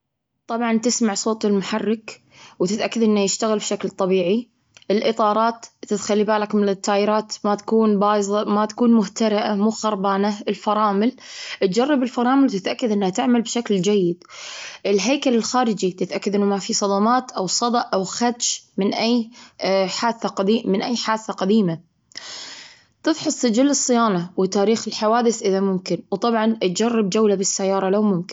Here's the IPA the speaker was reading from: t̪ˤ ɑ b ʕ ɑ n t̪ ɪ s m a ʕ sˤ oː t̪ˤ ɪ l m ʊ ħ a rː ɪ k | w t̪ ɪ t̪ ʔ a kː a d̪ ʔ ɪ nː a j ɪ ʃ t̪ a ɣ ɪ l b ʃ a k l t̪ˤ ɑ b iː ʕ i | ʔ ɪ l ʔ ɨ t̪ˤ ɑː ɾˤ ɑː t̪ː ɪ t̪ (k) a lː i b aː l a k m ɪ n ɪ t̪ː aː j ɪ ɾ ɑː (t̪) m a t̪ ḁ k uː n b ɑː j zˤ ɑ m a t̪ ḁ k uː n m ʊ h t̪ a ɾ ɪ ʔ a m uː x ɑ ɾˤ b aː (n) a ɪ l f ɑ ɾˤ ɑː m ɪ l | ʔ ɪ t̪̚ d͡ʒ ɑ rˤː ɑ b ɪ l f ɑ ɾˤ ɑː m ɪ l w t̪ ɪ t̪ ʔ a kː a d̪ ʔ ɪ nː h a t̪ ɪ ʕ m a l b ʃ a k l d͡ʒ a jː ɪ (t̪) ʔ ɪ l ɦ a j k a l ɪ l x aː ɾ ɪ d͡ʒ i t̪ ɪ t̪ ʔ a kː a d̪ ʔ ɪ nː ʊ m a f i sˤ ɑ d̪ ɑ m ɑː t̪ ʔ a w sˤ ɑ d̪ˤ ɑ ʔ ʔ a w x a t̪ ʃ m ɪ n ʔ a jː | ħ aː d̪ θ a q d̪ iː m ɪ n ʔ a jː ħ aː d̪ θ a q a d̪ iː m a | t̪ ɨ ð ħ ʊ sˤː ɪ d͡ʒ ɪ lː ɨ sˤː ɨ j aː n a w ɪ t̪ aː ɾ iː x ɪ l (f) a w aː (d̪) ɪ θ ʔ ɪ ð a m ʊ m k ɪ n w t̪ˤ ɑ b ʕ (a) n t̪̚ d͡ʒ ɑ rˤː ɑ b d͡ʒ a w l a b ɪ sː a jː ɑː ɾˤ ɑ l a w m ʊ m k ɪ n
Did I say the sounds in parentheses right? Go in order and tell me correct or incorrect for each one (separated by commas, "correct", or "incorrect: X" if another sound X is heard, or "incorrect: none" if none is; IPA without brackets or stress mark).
incorrect: x, correct, correct, incorrect: d̪, incorrect: ħ, correct, incorrect: ɑ